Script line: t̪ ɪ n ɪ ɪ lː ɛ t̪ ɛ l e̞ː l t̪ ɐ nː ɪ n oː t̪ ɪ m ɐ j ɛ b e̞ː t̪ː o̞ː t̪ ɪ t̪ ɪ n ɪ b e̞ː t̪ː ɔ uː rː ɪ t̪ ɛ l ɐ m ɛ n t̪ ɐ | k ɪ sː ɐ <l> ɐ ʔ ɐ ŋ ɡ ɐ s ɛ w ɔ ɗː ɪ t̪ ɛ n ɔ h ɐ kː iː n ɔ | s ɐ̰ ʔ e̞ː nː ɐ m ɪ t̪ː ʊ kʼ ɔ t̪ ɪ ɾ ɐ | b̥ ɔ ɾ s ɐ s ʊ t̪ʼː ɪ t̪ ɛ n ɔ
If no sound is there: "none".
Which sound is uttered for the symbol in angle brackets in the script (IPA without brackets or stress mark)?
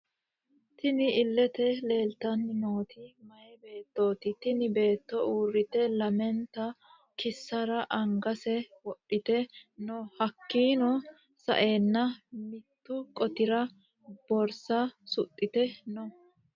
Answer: ɾ